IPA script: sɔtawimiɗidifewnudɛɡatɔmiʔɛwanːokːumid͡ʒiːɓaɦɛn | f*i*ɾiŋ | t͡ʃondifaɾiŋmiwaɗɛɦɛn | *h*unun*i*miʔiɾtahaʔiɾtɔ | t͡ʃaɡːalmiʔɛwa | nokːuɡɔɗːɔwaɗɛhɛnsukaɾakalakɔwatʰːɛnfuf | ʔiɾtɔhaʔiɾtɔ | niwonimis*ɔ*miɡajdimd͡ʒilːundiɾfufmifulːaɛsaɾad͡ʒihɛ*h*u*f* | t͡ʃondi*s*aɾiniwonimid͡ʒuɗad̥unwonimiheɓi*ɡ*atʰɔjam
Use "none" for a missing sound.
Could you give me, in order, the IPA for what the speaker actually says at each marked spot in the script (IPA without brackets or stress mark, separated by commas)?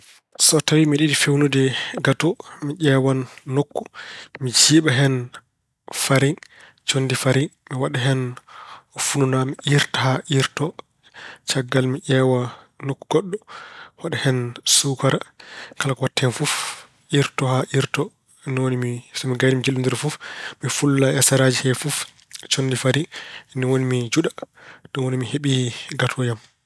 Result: a, f, a, ɔ, f, f, f, ɡ